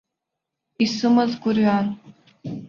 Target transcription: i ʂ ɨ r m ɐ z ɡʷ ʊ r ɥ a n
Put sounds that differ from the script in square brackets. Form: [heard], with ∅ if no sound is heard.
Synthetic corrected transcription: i [s] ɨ [∅] m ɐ z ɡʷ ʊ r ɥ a n